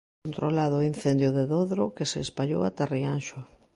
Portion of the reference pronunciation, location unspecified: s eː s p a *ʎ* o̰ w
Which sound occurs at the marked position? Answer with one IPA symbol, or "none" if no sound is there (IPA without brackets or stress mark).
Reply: ʎ